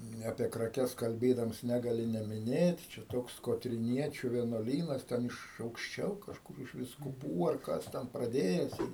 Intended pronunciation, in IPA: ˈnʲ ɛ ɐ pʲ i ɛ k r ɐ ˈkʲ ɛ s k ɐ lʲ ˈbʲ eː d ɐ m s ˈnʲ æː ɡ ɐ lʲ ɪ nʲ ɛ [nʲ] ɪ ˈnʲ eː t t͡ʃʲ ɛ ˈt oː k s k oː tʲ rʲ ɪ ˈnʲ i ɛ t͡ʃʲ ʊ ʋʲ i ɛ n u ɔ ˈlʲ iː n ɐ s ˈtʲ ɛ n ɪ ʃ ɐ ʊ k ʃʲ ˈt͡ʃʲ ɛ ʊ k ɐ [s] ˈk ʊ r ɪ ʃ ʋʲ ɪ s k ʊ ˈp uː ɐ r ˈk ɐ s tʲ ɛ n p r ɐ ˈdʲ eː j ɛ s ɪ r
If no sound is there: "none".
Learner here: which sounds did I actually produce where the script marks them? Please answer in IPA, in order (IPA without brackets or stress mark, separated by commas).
mʲ, ʃ